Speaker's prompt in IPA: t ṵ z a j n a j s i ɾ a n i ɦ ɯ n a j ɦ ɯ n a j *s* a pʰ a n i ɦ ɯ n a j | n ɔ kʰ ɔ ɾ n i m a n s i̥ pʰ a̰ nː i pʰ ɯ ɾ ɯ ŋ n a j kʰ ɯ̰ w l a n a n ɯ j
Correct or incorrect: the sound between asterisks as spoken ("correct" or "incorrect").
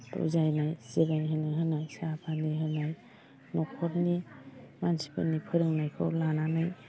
correct